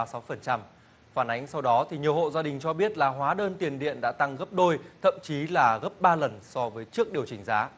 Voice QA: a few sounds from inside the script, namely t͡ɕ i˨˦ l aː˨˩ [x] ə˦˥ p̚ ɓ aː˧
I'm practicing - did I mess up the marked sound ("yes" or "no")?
yes